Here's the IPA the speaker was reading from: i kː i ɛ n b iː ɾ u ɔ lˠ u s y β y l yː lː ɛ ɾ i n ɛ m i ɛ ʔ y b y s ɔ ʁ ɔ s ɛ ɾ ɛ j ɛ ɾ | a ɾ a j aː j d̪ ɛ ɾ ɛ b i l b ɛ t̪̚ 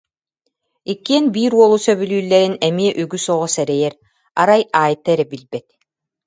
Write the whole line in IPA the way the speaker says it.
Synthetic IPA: i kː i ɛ n b iː ɾ u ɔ lˠ u s œ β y l yː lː ɛ ɾ i n ɛ m i ɛ ʔ y ɡ y s ɔ ʁ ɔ s ɛ ɾ ɛ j ɛ ɾ | a ɾ a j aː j t̪ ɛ ɾ ɛ b i l b ɛ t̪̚